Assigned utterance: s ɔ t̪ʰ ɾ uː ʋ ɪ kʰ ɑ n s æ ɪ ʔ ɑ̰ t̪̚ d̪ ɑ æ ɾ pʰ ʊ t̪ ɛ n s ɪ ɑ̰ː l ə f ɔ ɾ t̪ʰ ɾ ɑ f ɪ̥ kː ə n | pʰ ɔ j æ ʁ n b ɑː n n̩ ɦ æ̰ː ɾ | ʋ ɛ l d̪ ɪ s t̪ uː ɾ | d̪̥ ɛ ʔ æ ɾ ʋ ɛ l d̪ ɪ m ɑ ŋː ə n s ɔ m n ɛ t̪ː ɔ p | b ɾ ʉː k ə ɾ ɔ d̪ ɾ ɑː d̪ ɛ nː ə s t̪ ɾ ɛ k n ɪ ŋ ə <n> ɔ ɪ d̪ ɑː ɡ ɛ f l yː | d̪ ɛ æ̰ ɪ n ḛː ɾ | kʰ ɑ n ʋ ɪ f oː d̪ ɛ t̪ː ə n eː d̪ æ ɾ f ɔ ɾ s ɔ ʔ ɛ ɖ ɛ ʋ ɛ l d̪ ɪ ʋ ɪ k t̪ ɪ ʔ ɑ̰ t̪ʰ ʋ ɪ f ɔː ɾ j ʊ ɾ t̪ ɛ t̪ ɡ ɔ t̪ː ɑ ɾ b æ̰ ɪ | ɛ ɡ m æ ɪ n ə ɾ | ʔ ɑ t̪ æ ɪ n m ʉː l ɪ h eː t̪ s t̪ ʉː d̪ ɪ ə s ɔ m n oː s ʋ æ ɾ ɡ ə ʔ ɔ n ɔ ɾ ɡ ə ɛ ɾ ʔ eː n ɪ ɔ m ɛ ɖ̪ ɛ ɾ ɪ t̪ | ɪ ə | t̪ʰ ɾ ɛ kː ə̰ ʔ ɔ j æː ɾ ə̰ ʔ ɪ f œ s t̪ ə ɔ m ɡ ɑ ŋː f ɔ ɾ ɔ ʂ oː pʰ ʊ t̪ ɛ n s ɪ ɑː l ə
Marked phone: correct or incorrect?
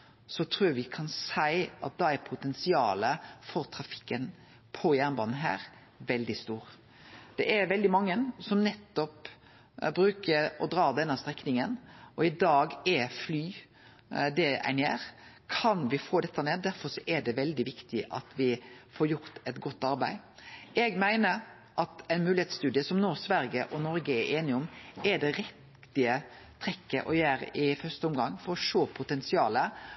correct